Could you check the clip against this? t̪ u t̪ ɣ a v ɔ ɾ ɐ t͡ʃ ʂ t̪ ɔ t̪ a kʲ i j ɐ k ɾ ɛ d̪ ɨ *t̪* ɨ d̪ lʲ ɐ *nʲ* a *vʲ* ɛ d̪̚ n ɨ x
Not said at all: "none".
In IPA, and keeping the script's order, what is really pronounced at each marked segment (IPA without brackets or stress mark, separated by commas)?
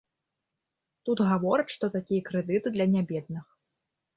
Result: t̪, nʲ, bʲ